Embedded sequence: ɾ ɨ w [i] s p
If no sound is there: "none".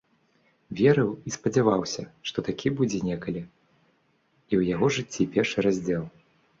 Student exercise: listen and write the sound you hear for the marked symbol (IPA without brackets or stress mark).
i